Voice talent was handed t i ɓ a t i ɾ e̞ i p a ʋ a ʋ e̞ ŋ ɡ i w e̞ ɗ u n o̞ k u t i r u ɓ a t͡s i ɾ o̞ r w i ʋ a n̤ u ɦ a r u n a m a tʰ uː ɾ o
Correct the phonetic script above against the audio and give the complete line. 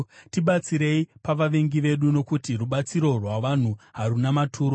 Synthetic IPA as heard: t i ɓ a t͡s i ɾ e̞ i p a ʋ a ʋ e̞ ŋ ɡ i ʋ e̞ ɗ u n o̞ k u t i r u ɓ a t͡s i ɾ o̞ r w a ʋ a n̤ u ɦ a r u n a m a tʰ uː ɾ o